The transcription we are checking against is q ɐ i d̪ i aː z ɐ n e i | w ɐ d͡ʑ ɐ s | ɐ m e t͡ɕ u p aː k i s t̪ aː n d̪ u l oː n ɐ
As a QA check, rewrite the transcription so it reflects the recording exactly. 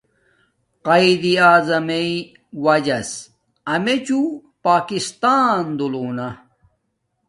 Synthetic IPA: q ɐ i d̪ i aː z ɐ m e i | w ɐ d͡ʑ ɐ s | ɐ m e t͡ɕ u p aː k i s t̪ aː n d̪ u l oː n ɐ